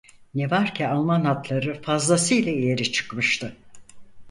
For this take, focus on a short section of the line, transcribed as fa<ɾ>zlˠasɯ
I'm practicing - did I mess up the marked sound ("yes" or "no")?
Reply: yes